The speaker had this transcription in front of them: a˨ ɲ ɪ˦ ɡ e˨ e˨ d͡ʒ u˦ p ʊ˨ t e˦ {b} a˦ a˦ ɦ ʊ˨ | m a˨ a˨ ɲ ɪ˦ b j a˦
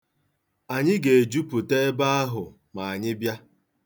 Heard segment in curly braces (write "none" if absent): b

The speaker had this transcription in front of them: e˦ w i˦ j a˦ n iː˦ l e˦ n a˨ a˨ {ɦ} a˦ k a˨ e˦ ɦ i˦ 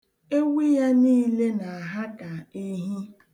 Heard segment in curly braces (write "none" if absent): ɦ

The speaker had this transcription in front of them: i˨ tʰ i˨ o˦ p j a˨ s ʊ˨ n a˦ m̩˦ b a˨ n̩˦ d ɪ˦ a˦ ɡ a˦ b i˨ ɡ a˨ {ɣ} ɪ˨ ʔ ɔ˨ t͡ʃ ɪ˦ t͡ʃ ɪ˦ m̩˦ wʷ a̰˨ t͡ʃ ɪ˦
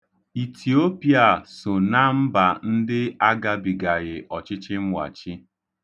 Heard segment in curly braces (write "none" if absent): ɣ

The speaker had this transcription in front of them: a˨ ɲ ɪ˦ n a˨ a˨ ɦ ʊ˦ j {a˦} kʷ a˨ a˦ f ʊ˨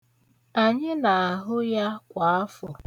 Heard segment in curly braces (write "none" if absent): a˦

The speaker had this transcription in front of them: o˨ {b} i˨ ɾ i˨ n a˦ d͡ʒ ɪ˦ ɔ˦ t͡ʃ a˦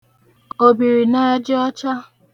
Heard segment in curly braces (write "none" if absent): b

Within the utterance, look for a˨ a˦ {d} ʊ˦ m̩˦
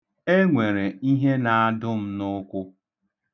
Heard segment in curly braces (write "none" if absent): d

